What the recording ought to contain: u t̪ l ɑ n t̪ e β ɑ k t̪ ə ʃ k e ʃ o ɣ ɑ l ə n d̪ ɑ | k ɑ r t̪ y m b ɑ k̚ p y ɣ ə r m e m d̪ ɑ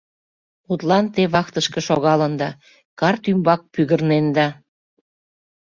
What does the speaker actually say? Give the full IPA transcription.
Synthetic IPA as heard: u t̪ l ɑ n t̪ e β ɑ k t̪ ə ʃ k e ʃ o ɣ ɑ l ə n d̪ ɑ | k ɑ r t̪ y m b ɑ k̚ p y ɣ ə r n e n d̪ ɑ